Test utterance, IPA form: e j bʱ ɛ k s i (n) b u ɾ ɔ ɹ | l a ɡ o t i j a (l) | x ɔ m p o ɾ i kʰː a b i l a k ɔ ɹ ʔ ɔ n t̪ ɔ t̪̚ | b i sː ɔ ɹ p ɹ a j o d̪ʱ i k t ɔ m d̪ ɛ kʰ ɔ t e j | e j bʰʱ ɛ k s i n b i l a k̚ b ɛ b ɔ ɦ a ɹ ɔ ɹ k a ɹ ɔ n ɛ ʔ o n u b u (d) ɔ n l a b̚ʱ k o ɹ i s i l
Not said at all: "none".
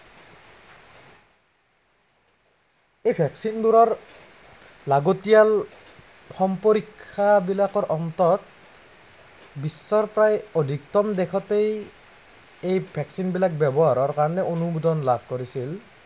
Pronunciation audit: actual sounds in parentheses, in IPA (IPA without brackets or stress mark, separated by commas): n, l, d